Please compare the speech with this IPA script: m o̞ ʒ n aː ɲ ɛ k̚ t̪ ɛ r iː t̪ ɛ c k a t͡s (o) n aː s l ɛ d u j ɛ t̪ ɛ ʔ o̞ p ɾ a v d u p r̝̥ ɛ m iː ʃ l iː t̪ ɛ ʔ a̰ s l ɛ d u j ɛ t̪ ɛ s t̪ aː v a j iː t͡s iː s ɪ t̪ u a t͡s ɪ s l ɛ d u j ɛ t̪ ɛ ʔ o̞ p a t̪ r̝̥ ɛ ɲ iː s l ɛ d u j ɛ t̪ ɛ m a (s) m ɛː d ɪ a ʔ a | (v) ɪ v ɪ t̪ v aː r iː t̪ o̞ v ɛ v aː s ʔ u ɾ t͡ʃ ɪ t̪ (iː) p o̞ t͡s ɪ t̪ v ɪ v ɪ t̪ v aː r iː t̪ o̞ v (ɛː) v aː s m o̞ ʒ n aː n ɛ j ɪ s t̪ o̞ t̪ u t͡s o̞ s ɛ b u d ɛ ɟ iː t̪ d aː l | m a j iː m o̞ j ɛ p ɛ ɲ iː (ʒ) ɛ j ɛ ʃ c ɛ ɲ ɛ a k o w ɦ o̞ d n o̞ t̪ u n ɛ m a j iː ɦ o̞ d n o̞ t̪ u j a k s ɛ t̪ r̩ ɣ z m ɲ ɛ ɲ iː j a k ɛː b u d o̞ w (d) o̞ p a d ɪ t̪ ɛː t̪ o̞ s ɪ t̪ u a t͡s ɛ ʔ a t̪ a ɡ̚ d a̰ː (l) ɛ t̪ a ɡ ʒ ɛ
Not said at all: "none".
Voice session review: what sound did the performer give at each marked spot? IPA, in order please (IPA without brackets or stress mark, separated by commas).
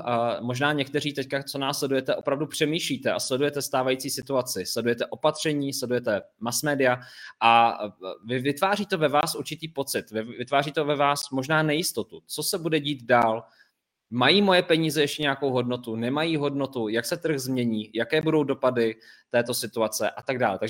o, s, v, iː, ɛ, z, d, l